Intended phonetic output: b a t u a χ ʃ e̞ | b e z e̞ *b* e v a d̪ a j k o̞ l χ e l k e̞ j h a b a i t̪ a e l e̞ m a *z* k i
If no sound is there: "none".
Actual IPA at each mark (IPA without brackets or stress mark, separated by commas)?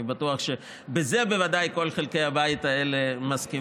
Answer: b, s